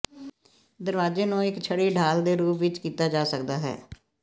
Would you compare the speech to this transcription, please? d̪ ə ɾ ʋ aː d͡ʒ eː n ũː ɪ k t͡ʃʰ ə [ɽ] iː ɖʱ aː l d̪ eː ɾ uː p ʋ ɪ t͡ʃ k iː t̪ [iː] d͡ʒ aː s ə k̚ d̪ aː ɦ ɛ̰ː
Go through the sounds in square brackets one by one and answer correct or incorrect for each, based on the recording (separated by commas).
correct, incorrect